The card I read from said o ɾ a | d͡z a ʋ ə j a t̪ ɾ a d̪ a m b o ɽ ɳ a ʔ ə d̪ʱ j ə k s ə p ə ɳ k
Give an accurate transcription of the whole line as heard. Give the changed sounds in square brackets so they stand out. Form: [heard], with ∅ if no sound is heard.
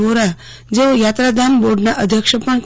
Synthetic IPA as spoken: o ɾ a | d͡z [e] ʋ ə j a t̪ ɾ a d̪ a m b o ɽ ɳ a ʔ ə d̪ʱ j ə k [ʂ] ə p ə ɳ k